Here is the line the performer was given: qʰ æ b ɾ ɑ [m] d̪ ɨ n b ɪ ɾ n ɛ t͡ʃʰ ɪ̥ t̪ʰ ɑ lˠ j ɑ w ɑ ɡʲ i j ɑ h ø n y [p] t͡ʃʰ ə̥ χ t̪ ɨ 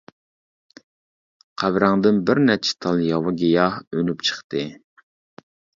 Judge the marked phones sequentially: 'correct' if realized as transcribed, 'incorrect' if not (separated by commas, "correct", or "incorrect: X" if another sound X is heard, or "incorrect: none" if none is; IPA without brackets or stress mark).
incorrect: ŋ, correct